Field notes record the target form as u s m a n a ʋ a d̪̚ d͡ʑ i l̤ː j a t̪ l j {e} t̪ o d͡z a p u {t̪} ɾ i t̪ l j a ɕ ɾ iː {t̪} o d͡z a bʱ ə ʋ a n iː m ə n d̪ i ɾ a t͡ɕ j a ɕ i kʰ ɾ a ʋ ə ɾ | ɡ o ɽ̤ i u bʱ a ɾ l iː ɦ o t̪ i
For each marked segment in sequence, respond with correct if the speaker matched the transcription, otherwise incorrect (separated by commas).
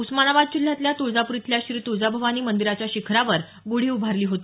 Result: incorrect, incorrect, correct